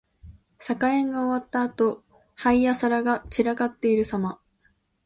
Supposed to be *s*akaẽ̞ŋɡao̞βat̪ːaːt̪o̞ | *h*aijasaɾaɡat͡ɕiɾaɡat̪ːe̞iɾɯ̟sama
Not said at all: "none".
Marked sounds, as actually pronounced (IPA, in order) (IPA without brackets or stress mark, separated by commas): s, h